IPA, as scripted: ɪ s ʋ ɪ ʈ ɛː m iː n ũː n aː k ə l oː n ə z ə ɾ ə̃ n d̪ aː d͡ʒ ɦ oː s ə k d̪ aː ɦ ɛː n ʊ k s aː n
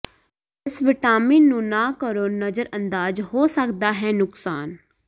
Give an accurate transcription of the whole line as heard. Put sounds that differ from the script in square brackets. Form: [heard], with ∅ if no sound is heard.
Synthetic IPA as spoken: ɪ s ʋ ɪ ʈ [aː] m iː n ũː n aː k ə [ɾ] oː n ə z ə ɾ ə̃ n d̪ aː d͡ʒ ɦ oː s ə k d̪ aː ɦ ɛː n ʊ k s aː n